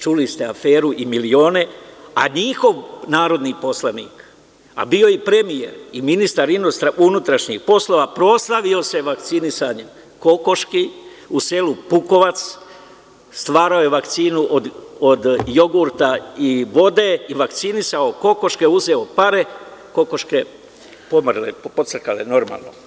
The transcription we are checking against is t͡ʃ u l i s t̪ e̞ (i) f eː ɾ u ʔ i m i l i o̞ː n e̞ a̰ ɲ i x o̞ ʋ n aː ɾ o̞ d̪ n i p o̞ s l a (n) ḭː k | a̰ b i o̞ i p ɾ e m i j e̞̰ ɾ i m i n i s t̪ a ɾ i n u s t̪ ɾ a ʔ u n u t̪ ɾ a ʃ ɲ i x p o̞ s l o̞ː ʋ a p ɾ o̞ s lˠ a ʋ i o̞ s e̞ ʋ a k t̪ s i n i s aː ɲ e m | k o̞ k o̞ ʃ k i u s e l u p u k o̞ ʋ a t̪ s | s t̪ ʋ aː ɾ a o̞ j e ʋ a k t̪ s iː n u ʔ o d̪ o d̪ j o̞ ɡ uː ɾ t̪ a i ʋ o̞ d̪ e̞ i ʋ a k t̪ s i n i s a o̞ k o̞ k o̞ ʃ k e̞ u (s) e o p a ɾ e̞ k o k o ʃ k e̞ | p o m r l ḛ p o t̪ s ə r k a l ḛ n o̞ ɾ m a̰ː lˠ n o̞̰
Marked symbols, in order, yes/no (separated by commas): no, yes, no